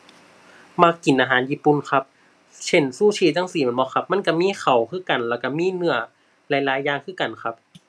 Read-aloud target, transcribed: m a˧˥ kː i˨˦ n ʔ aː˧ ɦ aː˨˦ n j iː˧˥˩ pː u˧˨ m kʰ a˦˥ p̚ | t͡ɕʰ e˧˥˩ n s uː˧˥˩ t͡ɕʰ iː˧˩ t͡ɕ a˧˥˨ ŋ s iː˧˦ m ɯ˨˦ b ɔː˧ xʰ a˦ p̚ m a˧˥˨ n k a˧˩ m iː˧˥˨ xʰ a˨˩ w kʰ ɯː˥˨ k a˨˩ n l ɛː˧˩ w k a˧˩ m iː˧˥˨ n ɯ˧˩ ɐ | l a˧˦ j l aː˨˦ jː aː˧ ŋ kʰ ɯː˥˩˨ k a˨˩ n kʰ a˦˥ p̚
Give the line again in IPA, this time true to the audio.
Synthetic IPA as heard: m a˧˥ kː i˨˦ n ʔ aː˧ ɦ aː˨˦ n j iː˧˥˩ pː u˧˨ n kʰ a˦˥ p̚ | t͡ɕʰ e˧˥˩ n s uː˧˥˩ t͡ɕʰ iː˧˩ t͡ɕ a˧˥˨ ŋ s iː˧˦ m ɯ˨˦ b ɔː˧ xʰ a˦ p̚ m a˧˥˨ n k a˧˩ m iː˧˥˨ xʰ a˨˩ w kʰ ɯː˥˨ k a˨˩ n l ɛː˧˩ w k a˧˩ m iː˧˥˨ n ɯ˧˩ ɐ | l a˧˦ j l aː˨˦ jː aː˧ ŋ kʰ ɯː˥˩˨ k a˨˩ n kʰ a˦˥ p̚

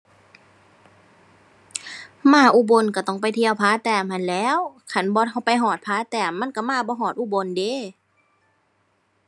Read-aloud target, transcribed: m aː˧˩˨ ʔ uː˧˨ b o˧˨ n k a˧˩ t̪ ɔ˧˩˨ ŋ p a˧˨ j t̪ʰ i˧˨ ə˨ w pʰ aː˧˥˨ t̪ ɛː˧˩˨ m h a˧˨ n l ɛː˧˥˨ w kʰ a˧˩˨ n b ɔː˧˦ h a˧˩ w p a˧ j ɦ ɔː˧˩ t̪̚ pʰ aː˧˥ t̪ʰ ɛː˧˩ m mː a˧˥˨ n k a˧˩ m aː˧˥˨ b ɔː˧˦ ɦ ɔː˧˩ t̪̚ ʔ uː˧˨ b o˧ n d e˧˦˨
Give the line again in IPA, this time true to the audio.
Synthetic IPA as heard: m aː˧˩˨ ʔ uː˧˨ b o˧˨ n k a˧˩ t̪ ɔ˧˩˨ ŋ p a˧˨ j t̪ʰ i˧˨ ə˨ w pʰ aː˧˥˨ t̪ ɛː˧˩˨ m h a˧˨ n l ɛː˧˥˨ w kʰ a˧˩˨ n b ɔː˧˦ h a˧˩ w p a˧ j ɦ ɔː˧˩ t̪̚ pʰ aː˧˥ t̪ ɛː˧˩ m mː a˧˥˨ n k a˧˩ m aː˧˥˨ b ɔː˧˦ ɦ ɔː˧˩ t̪̚ ʔ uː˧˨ b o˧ n d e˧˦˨

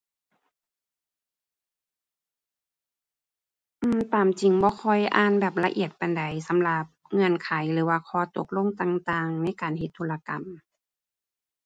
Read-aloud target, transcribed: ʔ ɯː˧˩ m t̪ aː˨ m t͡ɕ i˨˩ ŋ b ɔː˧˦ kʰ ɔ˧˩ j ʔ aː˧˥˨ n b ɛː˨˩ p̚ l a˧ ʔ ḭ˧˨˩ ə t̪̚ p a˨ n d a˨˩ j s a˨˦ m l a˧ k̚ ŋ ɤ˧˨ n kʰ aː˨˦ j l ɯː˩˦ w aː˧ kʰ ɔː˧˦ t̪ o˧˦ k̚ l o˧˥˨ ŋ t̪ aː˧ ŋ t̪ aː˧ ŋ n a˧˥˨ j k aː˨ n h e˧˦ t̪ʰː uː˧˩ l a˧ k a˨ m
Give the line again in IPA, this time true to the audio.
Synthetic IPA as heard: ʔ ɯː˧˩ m t̪ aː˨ m t͡ɕ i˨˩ ŋ b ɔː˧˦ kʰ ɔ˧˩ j ʔ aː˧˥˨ n b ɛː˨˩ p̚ l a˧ ʔ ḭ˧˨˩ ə t̪̚ p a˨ n d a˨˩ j s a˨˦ m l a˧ p̚ ŋ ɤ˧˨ n kʰ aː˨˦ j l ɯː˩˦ w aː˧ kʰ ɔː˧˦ t̪ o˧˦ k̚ l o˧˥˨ ŋ t̪ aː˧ ŋ t̪ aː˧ ŋ n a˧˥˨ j k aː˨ n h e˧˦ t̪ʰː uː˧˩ l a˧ k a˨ m

